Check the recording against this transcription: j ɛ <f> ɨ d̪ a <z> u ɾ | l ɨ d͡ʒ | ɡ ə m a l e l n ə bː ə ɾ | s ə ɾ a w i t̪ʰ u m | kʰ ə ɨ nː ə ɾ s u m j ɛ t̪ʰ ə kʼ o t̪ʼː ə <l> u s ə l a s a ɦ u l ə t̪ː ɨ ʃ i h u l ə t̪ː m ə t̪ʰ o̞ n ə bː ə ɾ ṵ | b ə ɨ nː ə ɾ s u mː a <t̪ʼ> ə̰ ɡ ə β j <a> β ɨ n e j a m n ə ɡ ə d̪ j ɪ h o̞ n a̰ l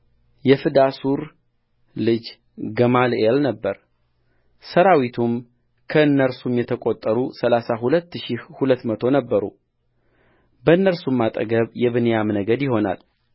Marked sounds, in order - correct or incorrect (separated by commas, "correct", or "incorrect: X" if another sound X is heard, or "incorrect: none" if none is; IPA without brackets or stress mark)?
correct, incorrect: s, incorrect: ɾ, correct, incorrect: ɛ